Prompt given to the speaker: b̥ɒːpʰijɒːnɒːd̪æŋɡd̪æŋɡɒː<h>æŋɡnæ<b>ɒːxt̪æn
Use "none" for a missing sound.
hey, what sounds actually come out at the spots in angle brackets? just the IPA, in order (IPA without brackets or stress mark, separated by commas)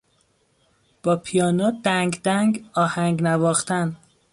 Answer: h, v